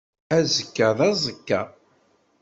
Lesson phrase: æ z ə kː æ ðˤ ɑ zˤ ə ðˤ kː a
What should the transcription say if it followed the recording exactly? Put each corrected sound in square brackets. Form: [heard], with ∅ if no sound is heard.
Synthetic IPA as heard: æ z ə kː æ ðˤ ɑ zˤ ə [∅] kː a